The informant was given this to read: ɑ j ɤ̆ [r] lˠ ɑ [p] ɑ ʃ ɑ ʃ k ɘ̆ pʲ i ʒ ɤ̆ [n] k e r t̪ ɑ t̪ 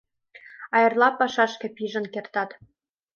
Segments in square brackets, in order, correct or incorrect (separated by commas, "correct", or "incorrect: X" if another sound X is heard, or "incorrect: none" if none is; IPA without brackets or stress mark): correct, correct, correct